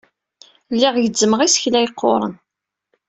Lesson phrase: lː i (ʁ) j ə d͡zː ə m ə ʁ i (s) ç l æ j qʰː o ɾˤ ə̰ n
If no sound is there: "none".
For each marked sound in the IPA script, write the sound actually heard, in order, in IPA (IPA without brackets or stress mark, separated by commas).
ʁ, s